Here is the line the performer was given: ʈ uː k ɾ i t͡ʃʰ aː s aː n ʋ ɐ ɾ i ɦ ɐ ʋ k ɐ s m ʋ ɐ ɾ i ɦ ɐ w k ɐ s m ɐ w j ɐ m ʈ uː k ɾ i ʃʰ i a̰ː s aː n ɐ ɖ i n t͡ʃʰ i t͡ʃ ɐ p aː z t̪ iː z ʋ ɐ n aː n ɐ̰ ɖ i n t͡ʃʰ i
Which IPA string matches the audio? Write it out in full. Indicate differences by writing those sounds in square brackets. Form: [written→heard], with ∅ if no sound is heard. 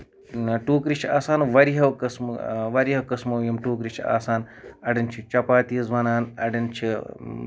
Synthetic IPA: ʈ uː k ɾ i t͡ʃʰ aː s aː n ʋ ɐ ɾ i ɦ ɐ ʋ k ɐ s m ʋ ɐ ɾ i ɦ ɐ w k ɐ s m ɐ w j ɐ m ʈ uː k ɾ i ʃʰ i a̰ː s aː n ɐ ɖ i n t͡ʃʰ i t͡ʃ ɐ p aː [z→∅] t̪ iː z ʋ ɐ n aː n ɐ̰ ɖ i n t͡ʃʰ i